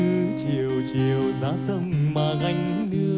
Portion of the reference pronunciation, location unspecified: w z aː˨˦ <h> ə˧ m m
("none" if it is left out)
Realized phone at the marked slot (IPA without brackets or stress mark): s